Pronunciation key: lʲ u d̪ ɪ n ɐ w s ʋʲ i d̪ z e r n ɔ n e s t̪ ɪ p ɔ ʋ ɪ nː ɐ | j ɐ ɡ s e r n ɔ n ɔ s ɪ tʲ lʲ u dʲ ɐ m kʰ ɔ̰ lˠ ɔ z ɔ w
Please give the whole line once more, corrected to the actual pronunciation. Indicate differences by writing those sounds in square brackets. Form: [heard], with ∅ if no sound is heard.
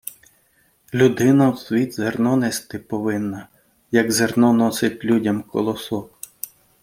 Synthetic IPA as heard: lʲ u d̪ ɪ n ɐ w s ʋʲ i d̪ z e r n ɔ n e s t̪ ɪ p ɔ ʋ ɪ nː ɐ | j ɐ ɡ [z] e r n ɔ n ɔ s ɪ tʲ lʲ u dʲ ɐ m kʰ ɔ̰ lˠ ɔ [s] ɔ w